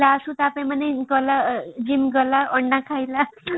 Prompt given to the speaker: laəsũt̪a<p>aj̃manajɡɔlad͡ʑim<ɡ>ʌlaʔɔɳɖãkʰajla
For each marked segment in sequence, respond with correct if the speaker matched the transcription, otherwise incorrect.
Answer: correct, correct

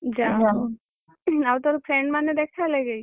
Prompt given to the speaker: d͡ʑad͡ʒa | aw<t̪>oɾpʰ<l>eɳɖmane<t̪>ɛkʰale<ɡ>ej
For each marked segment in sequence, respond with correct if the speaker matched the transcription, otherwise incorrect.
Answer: correct, incorrect: ɾ, incorrect: d̪, correct

